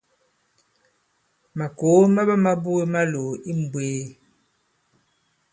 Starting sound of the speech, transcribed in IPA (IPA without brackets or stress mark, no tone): m